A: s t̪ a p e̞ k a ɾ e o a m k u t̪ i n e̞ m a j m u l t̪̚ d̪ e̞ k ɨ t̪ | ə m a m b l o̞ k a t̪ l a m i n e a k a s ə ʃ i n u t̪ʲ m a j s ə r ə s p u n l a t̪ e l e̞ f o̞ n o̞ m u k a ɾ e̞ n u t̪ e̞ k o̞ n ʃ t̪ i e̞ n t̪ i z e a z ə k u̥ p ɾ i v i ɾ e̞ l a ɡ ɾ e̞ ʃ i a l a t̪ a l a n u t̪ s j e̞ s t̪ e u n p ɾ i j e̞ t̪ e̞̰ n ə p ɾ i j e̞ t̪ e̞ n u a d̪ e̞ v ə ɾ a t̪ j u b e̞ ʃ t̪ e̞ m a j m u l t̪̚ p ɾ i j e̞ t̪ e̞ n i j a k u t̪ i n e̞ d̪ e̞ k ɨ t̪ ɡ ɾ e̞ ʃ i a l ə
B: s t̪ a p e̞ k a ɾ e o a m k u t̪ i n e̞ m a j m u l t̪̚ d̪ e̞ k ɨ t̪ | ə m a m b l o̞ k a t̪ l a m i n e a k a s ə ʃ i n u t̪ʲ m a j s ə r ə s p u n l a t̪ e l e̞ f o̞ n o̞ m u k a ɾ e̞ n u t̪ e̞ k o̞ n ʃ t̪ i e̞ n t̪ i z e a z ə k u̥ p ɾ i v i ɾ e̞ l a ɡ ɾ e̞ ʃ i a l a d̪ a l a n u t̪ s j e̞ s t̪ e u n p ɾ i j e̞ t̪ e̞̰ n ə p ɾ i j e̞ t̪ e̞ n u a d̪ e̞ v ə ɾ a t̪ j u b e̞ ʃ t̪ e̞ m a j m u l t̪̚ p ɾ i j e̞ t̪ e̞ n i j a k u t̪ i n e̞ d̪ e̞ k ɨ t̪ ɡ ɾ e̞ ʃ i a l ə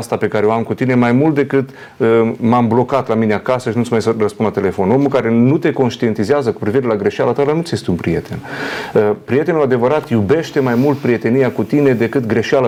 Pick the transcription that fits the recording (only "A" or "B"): A